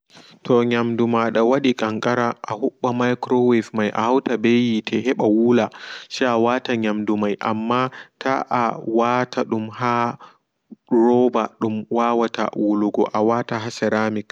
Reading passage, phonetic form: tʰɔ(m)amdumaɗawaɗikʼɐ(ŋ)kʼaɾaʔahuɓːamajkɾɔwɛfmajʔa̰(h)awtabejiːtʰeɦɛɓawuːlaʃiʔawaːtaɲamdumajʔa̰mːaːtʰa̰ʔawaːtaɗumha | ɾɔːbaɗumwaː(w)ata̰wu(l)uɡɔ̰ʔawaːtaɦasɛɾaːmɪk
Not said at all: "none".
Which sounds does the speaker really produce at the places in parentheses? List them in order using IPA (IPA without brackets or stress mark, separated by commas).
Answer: ɲ, ŋ, h, w, l